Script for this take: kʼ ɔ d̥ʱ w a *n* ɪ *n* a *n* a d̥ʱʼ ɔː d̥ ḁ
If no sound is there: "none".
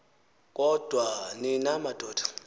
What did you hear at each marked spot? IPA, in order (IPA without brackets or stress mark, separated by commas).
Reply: n, n, m